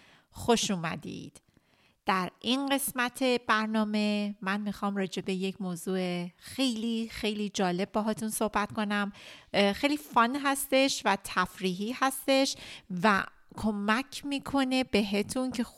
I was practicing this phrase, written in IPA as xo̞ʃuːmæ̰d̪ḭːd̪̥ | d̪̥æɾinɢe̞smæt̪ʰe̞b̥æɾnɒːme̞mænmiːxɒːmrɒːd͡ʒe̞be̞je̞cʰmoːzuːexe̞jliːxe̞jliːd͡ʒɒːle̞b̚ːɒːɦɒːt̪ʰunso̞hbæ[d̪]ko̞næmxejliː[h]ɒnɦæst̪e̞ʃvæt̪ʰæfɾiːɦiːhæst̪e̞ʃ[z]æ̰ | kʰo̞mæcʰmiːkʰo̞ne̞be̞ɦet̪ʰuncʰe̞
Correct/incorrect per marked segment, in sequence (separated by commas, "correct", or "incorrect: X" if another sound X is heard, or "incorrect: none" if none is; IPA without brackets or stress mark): incorrect: t̪, incorrect: f, incorrect: v